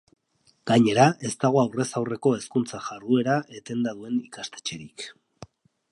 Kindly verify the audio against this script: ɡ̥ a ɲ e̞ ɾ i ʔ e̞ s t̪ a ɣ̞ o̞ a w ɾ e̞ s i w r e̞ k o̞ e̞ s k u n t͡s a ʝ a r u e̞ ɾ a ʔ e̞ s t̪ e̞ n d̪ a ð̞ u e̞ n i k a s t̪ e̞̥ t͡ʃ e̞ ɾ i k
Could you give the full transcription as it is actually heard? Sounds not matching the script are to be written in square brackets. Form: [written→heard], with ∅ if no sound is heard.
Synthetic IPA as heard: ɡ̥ a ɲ e̞ ɾ [i→a] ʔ e̞ s t̪ a ɣ̞ o̞ a w [ɾ→r] e̞ s [i→a] w r e̞ k o̞ e̞ s k u n t͡s a ʝ a r u e̞ ɾ a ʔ e̞ [s→∅] t̪ e̞ n d̪ a ð̞ u e̞ n i k a s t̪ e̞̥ t͡ʃ e̞ ɾ i k

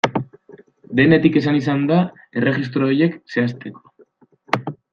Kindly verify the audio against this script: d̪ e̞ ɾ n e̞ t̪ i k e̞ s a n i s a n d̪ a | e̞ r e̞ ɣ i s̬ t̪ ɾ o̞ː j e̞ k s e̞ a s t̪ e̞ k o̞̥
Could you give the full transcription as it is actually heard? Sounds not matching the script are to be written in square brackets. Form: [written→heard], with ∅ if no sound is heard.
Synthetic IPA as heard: d̪ e̞ [ɾ→∅] n e̞ t̪ i k e̞ s a n i s a n d̪ a | e̞ r e̞ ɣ i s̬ t̪ ɾ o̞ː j e̞ k s e̞ a s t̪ e̞ k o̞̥

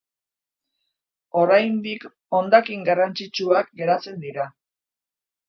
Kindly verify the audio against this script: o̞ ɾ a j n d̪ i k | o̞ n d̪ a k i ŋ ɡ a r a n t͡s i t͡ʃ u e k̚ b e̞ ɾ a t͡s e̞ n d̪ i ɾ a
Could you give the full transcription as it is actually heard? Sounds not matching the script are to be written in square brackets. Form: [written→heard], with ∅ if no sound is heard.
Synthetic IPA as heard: o̞ ɾ a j n d̪ i k | o̞ n d̪ a k i ŋ ɡ a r a n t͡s i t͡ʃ u [e→a] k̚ [b→ɡ] e̞ ɾ a t͡s e̞ n d̪ i ɾ a

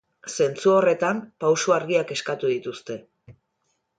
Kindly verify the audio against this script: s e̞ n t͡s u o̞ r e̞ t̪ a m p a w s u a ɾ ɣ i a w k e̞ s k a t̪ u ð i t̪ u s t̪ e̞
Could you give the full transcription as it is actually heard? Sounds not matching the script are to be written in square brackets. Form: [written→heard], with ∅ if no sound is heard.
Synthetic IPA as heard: s e̞ n t͡s u o̞ r e̞ t̪ a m p a w s u a ɾ ɣ i a [w→∅] k e̞ s k a t̪ u ð i t̪ u s t̪ e̞

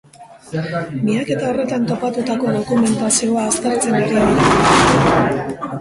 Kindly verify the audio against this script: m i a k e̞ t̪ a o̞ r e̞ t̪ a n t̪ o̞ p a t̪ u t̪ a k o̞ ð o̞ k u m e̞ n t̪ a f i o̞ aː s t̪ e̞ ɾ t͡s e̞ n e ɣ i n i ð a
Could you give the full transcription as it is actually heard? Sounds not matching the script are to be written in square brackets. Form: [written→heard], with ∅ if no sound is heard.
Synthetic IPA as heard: m i a k e̞ t̪ a o̞ r e̞ t̪ a n t̪ o̞ p a t̪ u t̪ a k o̞ ð o̞ k u m e̞ n t̪ a [f→s] i o̞ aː s t̪ e̞ ɾ t͡s e̞ n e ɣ i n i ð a

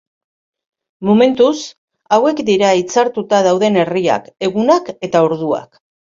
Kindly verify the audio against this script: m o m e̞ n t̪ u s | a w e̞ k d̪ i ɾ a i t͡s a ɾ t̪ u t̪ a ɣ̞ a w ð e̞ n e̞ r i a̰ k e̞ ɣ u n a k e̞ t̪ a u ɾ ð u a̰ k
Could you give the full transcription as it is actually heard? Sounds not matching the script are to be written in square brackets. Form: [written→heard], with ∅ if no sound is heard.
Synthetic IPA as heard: m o m e̞ n t̪ u s | a w e̞ k d̪ i ɾ a i t͡s a ɾ t̪ u t̪ a [ɣ̞→ð̞] a w ð e̞ n e̞ r i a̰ k e̞ ɣ u n a k e̞ t̪ a [u→o] ɾ ð u a̰ k

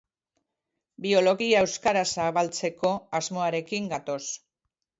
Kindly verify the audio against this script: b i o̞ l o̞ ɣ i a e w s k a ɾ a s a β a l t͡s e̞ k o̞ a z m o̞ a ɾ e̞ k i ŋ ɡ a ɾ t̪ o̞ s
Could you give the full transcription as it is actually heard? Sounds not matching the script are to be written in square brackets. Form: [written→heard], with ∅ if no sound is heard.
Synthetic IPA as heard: b i o̞ l o̞ ɣ i a e w s k a ɾ a s a β a l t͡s e̞ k o̞ a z m o̞ a ɾ e̞ k i ŋ ɡ a [ɾ→∅] t̪ o̞ s

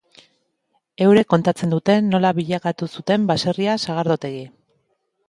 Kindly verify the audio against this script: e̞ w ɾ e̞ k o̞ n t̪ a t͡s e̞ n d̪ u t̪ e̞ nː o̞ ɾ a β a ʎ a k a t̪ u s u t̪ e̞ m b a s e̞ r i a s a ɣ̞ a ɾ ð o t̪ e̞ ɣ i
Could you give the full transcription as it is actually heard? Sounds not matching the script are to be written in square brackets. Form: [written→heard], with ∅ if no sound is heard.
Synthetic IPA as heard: e̞ w ɾ e̞ k o̞ n t̪ a t͡s e̞ n d̪ u t̪ e̞ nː o̞ [ɾ→l] a β [a→i] ʎ a k a t̪ u s u t̪ e̞ m b a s e̞ r i a s a ɣ̞ a ɾ ð o t̪ e̞ ɣ i

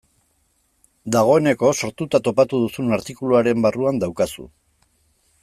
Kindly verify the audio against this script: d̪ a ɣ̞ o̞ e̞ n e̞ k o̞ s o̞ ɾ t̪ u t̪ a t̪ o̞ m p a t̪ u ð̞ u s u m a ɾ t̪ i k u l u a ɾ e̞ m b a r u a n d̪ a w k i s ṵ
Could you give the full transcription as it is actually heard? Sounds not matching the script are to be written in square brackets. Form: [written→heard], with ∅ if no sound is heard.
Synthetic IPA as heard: d̪ a ɣ̞ o̞ e̞ n e̞ k o̞ s o̞ ɾ t̪ u t̪ a t̪ o̞ [m→∅] p a t̪ u ð̞ u s u [m→n] a ɾ t̪ i k u l u a ɾ e̞ m b a r u a n d̪ a w k [i→a] s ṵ

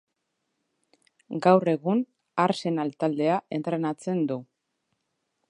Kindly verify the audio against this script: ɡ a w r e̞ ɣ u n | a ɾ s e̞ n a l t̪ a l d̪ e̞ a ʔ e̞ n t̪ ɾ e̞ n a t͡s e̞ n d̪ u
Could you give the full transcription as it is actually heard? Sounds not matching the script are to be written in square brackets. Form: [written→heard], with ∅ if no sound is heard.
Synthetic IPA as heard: ɡ a w r e̞ ɣ u n | a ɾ s e̞ n a l t̪ a l d̪ e̞ a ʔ e̞ n t̪ ɾ e̞ n a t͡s e̞ n d̪ u

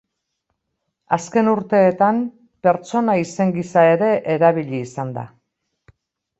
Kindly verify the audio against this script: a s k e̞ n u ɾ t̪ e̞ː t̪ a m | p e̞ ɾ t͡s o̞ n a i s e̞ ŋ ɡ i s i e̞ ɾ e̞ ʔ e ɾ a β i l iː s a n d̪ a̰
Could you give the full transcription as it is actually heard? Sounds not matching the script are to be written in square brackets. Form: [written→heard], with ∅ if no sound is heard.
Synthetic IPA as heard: a s k e̞ n u ɾ t̪ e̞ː t̪ a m | p e̞ ɾ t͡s o̞ n a i s e̞ ŋ ɡ i s [i→a] e̞ ɾ e̞ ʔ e ɾ a β i [l→ʎ] iː s a n d̪ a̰

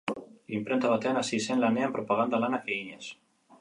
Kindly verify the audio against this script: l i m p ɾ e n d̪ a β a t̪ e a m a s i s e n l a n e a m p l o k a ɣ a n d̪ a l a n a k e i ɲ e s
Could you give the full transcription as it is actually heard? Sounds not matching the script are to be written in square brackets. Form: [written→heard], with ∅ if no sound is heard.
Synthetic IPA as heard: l i m p ɾ e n [d̪→t̪] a β a t̪ e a [m→n] a s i s e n l a n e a m p [l→ɾ] o [k→p] a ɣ a n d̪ a l a n a k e i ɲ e s

